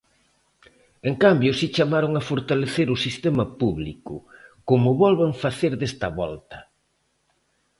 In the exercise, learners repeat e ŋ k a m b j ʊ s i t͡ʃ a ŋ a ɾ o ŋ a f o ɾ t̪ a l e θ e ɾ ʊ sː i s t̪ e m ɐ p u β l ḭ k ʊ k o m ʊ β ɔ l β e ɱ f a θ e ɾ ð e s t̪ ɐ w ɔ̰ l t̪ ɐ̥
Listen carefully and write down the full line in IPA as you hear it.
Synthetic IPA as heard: e ŋ k a m b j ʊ s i t͡ʃ a m a ɾ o ŋ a f o ɾ t̪ a l e θ e ɾ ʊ s i s t̪ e m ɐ p u β l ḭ k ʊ k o m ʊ β ɔ l β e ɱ f a θ e ɾ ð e s t̪ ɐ β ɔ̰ l t̪ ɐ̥